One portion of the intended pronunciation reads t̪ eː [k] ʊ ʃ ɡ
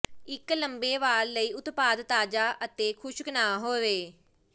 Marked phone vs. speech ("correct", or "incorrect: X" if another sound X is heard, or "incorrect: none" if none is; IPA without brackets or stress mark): incorrect: kʰ